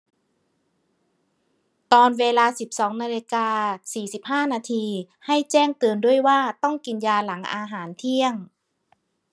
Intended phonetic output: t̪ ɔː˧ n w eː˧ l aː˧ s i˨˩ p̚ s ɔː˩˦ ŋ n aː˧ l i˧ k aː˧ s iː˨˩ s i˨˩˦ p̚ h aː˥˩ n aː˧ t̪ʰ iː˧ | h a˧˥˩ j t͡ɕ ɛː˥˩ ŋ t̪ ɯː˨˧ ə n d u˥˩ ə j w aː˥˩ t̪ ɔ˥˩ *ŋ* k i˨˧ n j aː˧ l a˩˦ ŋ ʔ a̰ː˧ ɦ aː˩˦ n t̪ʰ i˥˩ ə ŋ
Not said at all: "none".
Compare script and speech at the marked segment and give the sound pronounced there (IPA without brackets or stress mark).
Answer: ŋ